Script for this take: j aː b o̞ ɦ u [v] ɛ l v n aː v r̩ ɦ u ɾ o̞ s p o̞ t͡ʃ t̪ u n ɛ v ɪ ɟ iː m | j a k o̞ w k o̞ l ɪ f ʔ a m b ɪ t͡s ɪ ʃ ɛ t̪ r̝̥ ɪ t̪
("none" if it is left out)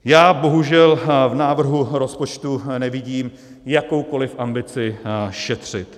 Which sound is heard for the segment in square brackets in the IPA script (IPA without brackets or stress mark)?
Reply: ʒ